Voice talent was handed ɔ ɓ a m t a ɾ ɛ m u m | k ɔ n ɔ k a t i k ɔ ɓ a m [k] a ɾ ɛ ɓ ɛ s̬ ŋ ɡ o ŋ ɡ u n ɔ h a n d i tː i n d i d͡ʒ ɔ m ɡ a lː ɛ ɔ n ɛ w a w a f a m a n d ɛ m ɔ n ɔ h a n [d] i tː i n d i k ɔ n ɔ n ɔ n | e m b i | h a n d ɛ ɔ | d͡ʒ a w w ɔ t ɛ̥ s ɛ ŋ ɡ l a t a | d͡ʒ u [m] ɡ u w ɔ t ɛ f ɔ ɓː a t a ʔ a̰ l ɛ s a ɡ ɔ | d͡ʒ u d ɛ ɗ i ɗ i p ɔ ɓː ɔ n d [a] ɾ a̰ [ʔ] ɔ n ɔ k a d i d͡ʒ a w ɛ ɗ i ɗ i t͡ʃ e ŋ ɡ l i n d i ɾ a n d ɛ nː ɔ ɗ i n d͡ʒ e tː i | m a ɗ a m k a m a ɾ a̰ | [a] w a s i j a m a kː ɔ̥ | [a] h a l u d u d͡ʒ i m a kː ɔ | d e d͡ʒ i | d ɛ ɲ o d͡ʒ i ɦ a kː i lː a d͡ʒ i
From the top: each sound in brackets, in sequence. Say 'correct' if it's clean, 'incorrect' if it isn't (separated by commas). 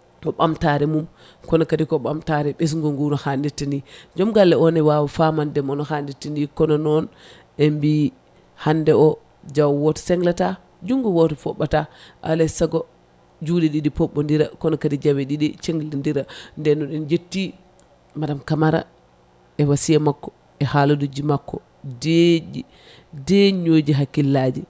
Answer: incorrect, correct, incorrect, incorrect, incorrect, incorrect, incorrect